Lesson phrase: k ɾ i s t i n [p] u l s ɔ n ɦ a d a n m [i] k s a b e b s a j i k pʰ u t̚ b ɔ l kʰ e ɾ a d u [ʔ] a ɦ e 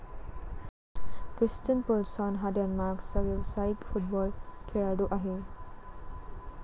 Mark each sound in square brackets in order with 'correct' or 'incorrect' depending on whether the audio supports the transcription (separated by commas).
correct, incorrect, correct